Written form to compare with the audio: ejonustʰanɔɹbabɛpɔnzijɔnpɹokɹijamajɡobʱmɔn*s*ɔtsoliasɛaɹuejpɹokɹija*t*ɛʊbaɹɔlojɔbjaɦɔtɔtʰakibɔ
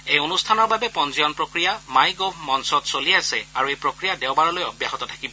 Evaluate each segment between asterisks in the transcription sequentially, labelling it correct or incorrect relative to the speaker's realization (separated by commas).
correct, incorrect